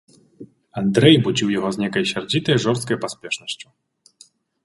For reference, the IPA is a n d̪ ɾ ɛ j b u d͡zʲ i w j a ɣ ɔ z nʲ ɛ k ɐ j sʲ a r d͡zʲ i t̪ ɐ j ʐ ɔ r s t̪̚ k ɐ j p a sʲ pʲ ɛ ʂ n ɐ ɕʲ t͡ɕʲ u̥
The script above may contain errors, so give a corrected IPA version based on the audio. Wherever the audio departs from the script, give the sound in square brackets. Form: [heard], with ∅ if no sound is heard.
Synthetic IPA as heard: a n d̪ ɾ ɛ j b u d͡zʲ i w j a ɣ ɔ z nʲ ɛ k ɐ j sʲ a r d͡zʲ i t̪ ɐ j ʐ ɔ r s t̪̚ k ɐ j p a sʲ pʲ ɛ ʂ n ɐ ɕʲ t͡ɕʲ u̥

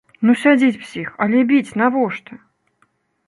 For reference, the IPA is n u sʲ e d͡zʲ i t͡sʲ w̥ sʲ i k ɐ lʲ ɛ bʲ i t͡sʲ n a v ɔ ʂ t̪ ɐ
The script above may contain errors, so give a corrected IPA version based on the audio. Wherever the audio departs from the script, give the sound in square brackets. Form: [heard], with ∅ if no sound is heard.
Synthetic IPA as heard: n u sʲ [a] d͡zʲ i t͡sʲ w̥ sʲ i [x] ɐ lʲ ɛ bʲ i t͡sʲ n a v ɔ ʂ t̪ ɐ

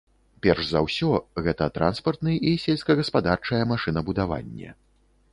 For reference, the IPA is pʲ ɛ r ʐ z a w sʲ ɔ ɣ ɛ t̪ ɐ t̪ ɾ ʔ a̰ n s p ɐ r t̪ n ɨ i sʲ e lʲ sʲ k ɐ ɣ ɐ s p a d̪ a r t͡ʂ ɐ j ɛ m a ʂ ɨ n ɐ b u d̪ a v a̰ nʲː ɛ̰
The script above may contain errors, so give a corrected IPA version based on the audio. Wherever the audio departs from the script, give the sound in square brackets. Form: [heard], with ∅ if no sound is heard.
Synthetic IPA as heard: pʲ ɛ r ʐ z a w sʲ ɔ ɣ ɛ t̪ ɐ t̪ ɾ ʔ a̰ n s p ɐ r t̪ n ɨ i sʲ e lʲ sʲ k ɐ ɣ ɐ s p a d̪ a r t͡ʂ ɐ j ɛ m a ʂ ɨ n ɐ b u d̪ a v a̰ nʲː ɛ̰

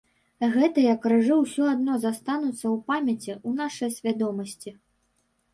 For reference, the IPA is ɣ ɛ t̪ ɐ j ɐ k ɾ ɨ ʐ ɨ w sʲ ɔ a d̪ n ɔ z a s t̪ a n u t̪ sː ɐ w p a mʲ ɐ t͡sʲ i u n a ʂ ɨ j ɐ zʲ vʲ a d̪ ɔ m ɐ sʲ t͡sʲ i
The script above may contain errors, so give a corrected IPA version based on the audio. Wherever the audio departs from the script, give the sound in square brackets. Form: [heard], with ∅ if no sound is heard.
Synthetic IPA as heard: ɣ ɛ t̪ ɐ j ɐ k ɾ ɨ ʐ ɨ w sʲ ɔ a d̪ n ɔ z a s t̪ a n u t̪ sː ɐ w p a mʲ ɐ t͡sʲ i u n a ʂ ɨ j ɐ [sʲ] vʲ a d̪ ɔ m ɐ sʲ t͡sʲ i

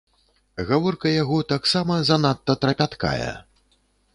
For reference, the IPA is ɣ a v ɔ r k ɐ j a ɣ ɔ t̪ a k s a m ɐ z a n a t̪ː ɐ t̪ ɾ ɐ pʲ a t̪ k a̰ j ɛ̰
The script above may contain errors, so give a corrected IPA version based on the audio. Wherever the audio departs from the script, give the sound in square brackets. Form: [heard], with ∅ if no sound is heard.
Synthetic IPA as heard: ɣ a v ɔ r k ɐ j a ɣ ɔ t̪ a k s a m ɐ z a n a t̪ː ɐ t̪ ɾ ɐ pʲ a t̪ k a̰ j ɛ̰

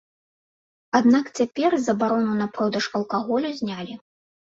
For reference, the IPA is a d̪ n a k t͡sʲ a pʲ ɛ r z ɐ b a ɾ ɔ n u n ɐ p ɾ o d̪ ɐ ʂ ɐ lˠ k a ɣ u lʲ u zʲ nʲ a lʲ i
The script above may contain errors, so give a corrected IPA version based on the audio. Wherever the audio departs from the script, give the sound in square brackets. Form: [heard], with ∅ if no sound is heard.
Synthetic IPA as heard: a d̪ n a k t͡sʲ a pʲ ɛ r z ɐ b a ɾ ɔ n u n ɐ p ɾ [ɔ] d̪ ɐ ʂ ɐ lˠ k a ɣ [ɔ] lʲ u zʲ nʲ a lʲ i

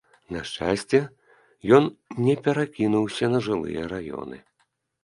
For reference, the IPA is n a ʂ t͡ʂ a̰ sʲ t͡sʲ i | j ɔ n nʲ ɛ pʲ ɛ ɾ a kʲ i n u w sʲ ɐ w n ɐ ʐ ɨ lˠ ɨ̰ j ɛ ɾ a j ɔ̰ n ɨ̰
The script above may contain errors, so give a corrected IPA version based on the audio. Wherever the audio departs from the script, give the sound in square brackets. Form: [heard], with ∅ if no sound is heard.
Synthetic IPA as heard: n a ʂ t͡ʂ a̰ sʲ t͡sʲ [ɛ] | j ɔ n nʲ ɛ pʲ ɛ ɾ a kʲ i n u w sʲ ɐ [∅] n ɐ ʐ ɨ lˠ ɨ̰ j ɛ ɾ a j ɔ̰ n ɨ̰

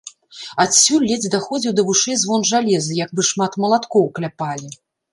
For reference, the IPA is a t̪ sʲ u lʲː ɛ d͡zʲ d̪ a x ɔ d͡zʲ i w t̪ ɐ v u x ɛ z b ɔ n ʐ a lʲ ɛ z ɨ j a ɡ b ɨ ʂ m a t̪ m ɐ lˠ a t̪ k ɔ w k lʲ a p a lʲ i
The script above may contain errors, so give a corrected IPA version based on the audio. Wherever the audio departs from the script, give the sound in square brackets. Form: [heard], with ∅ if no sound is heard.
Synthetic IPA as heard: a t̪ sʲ u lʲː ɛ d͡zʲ d̪ a x ɔ d͡zʲ i w [d̪] ɐ v u [ʂ] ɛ z [v] ɔ n ʐ a lʲ ɛ z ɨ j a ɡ b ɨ ʂ m a t̪ m ɐ lˠ a t̪ k ɔ w k lʲ a p a lʲ i

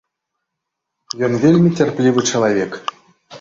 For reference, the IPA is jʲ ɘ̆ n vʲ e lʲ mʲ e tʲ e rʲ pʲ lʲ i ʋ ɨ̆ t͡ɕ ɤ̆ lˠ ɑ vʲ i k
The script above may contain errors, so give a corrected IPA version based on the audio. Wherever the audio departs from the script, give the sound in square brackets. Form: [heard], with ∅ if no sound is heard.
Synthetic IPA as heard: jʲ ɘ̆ n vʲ e lʲ mʲ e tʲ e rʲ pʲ lʲ i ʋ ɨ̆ t͡ɕ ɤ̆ lˠ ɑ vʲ [e] k

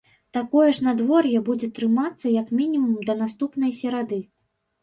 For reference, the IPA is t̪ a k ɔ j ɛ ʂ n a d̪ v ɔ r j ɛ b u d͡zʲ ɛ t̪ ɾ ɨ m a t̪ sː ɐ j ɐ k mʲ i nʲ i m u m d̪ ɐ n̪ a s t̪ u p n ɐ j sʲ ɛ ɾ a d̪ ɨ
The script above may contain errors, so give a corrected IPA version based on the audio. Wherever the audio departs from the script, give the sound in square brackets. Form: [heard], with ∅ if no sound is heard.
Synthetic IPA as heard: t̪ a k ɔ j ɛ ʂ n a d̪ v ɔ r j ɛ b u d͡zʲ ɛ t̪ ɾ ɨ m a t̪ sː ɐ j ɐ k mʲ i nʲ i m u m d̪ ɐ n̪ a s t̪ u p n ɐ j sʲ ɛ ɾ a d̪ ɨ

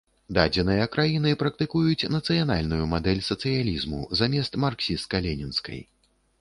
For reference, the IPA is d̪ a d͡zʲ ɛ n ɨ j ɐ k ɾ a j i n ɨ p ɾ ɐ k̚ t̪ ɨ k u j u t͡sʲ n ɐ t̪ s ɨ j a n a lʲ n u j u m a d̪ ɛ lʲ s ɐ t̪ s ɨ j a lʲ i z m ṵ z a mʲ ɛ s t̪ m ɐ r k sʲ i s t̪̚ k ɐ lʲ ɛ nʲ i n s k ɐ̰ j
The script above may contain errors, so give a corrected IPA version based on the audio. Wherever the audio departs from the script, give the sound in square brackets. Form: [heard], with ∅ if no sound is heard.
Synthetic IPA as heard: d̪ a d͡zʲ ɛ n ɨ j ɐ k ɾ a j i n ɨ p ɾ ɐ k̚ t̪ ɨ k u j u t͡sʲ n ɐ t̪ s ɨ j a n a lʲ n u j u m a d̪ ɛ lʲ s ɐ t̪ s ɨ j a lʲ i z m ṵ z a mʲ ɛ s t̪ m [a] r k sʲ i s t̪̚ k ɐ lʲ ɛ nʲ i n s k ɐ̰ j

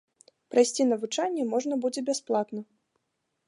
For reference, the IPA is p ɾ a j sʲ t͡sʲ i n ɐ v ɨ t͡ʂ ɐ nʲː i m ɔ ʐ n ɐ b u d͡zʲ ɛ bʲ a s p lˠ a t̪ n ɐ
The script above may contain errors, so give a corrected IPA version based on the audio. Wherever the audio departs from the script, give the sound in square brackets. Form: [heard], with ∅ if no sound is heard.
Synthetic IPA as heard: p ɾ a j sʲ t͡sʲ i n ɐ v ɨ t͡ʂ [a] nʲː [ɛ] m ɔ ʐ n ɐ b u d͡zʲ ɛ bʲ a s p lˠ a t̪ n ɐ

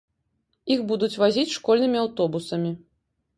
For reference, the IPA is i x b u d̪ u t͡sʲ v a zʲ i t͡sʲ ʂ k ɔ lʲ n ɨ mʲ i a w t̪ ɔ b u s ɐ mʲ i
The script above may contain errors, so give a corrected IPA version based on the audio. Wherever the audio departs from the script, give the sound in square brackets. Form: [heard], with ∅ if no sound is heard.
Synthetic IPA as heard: i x b u d̪ u t͡sʲ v a zʲ i t͡sʲ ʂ k ɔ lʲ n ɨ mʲ i a w t̪ ɔ b u s ɐ mʲ i

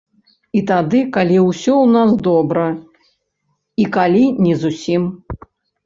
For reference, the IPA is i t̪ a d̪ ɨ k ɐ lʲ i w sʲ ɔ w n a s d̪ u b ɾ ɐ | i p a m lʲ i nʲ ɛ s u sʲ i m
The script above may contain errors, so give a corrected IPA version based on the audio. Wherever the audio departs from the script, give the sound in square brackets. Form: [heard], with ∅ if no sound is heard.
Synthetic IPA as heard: i t̪ a d̪ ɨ k [a] lʲ i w sʲ ɔ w n a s d̪ [ɔ] b ɾ ɐ | i [k] a [∅] lʲ i nʲ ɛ [z] u sʲ i m

